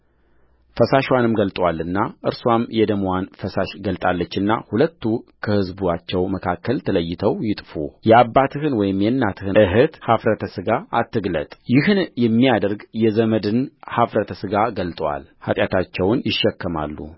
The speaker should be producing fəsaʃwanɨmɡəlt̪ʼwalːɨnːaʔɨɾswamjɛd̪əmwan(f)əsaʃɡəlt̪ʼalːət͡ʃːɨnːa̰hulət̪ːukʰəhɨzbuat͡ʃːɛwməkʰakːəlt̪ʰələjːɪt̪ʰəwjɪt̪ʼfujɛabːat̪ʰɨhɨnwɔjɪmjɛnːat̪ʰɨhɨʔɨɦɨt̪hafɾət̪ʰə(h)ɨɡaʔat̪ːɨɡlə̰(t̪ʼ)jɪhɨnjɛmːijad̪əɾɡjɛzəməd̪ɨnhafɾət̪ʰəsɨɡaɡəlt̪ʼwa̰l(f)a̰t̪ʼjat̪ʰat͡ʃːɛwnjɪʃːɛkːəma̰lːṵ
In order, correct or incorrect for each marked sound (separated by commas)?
correct, incorrect, correct, incorrect